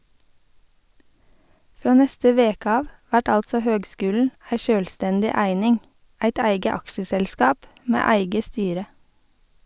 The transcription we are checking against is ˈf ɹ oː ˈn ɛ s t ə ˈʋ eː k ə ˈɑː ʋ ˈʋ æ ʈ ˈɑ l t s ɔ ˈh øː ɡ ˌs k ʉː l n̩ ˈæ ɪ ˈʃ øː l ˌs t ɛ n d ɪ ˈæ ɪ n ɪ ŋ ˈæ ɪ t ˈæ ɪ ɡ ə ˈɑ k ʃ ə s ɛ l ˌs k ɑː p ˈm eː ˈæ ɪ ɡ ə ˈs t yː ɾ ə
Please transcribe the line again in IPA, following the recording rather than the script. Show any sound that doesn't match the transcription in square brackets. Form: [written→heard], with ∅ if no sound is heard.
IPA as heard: ˈf [ɹ→ɾ] oː ˈn ɛ s t ə ˈʋ eː k ə ˈɑː ʋ ˈʋ æ ʈ ˈɑ l t s ɔ ˈh øː ɡ ˌs k ʉː l n̩ ˈæ ɪ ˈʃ øː l ˌs t ɛ n d ɪ ˈæ ɪ n ɪ ŋ ˈæ ɪ t ˈæ ɪ ɡ ə ˈɑ k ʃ ə s ɛ l ˌs k ɑː p ˈm eː ˈæ ɪ ɡ ə ˈs t yː ɾ ə